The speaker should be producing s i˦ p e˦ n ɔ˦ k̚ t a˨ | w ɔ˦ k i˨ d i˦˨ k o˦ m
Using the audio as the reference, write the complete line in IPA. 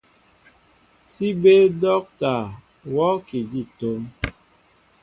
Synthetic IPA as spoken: s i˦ b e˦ d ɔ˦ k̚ t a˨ | w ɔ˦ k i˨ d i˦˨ t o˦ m

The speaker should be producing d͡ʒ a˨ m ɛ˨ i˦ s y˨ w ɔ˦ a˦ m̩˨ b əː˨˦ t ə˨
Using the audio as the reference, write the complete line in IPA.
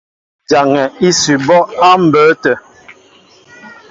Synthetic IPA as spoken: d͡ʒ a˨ ŋ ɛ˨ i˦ s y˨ b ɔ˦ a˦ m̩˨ b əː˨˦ t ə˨

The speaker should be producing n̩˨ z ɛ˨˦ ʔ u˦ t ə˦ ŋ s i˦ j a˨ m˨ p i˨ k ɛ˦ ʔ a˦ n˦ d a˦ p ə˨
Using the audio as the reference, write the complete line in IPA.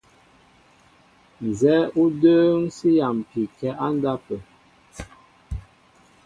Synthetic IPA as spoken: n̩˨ z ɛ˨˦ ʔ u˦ d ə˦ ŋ s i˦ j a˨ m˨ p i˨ k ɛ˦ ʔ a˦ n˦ d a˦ p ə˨

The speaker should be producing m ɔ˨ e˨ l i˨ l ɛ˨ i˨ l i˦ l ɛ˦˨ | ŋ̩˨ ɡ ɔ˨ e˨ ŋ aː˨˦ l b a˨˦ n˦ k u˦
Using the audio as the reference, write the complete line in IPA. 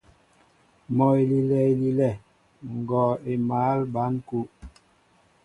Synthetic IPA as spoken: m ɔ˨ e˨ l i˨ l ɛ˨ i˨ l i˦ l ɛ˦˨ | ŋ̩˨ ɡ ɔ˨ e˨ m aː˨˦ l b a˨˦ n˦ k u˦

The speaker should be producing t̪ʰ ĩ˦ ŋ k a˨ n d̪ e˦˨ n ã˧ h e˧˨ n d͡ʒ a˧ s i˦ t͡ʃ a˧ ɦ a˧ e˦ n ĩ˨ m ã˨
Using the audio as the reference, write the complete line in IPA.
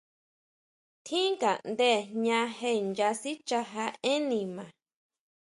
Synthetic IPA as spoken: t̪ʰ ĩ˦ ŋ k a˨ n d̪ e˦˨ ɲ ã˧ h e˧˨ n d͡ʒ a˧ s i˦ t͡ʃ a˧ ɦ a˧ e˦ n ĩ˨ m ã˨

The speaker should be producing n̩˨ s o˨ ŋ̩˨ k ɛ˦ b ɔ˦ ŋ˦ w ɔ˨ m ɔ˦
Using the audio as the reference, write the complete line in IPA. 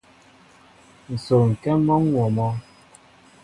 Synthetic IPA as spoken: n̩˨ s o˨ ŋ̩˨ k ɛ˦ m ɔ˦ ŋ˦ w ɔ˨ m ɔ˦

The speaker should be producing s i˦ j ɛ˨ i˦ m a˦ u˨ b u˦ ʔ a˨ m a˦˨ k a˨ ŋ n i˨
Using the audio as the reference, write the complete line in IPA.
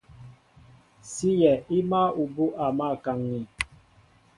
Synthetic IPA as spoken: s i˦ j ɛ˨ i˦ m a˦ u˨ b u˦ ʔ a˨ m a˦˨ k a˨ ŋ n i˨

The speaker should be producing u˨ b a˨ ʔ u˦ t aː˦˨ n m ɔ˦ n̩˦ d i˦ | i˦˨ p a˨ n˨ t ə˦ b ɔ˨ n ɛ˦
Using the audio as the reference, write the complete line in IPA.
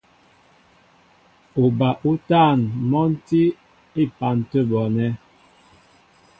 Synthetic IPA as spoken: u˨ b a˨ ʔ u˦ t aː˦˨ n m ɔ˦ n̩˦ t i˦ | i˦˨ p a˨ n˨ t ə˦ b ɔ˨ n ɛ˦

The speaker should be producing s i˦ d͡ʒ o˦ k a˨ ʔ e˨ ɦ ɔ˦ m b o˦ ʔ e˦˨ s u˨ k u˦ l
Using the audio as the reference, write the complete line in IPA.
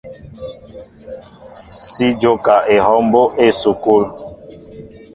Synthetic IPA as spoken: s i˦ d͡ʒ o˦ k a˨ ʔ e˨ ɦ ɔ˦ m b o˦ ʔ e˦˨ s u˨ k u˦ l

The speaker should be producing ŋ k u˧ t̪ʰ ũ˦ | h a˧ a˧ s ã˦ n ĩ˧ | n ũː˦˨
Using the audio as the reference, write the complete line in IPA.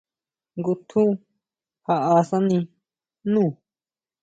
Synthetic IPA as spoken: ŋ ɡ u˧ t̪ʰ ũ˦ | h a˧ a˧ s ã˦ n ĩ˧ | n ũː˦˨

